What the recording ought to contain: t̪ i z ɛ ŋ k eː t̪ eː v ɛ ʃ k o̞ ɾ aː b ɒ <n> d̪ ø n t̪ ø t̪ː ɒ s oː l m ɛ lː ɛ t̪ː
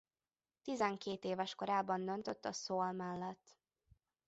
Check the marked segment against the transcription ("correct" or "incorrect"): correct